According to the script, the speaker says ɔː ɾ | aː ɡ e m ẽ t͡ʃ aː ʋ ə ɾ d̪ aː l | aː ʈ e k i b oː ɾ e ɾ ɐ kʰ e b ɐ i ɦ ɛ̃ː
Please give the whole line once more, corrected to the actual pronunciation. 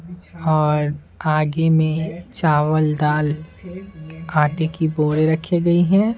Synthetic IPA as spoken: ɔː ɾ | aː ɡ e m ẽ t͡ʃ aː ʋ ə l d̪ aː l | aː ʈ e k i b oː ɾ e ɾ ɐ kʰ e ɡ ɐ i ɦ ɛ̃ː

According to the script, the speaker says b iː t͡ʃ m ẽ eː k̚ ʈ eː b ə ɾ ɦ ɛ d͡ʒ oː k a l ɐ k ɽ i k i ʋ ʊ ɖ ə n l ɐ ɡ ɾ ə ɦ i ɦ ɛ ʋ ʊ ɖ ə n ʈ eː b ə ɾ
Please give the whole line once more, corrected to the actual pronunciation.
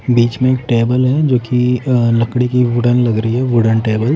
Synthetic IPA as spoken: b iː t͡ʃ m ẽ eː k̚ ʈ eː b ə l ɦ ɛ d͡ʒ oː k i l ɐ k ɽ i k i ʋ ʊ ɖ ə n l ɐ ɡ ɾ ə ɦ i ɦ ɛ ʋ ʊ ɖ ə n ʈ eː b ə l

